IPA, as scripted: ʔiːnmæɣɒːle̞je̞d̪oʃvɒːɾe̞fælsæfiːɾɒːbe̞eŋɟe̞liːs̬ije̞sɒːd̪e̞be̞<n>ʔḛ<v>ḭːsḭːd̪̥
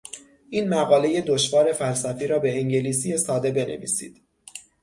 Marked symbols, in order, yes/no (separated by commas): yes, yes